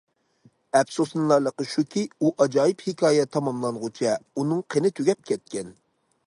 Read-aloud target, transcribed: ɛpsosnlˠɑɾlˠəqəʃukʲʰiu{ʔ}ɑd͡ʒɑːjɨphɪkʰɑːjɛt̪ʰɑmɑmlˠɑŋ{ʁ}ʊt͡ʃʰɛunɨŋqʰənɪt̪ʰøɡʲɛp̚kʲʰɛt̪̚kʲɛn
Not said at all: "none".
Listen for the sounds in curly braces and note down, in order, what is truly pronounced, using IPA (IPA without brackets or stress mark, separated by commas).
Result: ʔ, ʁ